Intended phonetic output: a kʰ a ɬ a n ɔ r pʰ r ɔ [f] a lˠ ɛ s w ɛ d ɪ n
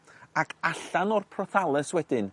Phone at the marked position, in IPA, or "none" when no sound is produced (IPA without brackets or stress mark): θ